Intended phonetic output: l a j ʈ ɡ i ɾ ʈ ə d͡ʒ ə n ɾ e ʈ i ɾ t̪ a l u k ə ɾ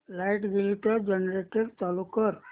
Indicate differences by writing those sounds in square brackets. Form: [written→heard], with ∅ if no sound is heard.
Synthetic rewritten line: l a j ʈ ɡ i [ɾ→l] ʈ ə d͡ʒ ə n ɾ e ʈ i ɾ t̪ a l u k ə ɾ